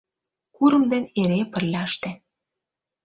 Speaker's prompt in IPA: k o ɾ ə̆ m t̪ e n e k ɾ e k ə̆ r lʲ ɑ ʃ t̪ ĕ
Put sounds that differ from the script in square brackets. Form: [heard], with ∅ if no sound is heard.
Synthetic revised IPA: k [u] ɾ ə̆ m [d̪] e n e [∅] ɾ e [p] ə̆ r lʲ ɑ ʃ t̪ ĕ